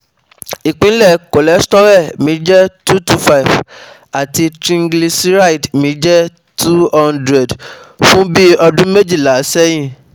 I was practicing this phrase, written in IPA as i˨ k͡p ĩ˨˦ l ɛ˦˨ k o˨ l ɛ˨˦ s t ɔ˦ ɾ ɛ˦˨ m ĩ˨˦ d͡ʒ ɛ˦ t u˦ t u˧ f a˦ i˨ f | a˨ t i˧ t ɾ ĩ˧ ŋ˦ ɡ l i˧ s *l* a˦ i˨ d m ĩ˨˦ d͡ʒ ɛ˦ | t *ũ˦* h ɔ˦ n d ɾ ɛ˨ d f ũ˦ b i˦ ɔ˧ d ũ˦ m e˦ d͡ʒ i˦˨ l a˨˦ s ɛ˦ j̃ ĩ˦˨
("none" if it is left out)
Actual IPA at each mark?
ɾ, u˦

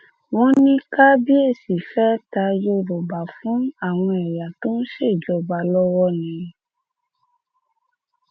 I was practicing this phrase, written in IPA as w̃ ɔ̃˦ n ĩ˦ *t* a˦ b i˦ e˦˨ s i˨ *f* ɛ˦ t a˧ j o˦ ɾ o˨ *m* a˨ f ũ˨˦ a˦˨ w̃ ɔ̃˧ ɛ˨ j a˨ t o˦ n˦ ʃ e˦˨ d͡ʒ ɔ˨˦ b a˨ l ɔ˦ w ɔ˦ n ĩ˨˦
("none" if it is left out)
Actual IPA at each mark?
k, f, b

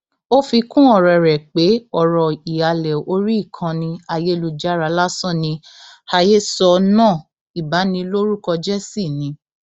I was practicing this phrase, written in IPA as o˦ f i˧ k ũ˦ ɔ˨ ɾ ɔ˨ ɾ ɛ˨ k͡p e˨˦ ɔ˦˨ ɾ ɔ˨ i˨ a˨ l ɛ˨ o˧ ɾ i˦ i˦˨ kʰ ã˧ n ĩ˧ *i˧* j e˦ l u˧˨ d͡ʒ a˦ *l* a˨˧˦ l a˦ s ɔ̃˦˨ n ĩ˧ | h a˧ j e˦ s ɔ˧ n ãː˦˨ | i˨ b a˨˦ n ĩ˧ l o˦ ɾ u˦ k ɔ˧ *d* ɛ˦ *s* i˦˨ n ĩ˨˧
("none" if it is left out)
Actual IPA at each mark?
a˧, ɾ, d͡ʒ, s

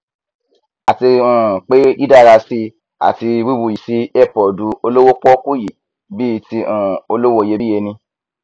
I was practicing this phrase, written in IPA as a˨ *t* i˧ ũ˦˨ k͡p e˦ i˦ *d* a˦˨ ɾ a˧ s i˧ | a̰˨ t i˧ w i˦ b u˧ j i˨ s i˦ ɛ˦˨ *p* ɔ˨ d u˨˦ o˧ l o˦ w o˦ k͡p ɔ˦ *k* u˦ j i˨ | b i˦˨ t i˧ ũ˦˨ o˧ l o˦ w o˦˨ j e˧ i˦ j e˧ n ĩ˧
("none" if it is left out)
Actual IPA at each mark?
t, d, p, k

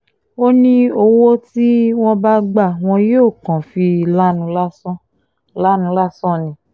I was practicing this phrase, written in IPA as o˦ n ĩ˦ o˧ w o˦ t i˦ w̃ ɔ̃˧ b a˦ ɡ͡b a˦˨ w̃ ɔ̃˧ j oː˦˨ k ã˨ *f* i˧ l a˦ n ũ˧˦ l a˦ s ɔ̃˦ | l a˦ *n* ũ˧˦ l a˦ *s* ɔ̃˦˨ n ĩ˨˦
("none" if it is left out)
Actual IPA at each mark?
f, n, s

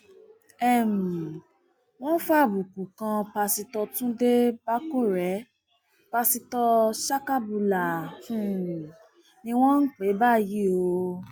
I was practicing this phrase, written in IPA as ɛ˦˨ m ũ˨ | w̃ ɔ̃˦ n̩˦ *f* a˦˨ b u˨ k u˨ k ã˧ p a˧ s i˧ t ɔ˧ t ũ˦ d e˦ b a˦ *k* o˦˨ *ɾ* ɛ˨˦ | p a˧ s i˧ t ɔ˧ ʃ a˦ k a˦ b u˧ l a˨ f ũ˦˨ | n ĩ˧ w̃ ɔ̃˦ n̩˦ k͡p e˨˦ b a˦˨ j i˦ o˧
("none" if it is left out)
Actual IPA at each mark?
f, k, ɾ

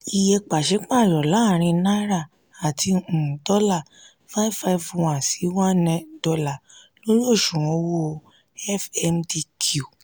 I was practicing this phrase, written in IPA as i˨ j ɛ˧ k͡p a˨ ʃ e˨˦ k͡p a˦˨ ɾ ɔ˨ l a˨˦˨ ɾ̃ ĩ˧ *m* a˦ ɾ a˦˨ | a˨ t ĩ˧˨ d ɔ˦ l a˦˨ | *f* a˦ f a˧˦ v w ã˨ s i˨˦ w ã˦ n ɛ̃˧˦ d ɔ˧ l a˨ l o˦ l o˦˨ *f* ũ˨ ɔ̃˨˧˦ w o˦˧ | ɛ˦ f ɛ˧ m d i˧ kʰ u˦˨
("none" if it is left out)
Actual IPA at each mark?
n, f, ʃ

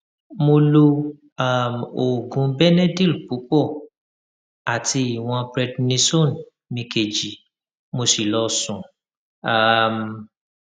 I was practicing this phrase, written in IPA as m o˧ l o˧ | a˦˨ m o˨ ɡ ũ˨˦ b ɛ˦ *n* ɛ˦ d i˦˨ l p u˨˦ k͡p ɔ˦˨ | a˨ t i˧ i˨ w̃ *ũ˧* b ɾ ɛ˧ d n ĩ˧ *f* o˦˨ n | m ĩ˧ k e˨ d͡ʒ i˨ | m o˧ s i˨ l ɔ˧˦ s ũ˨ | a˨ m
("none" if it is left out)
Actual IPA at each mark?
n, ɔ̃˧, s

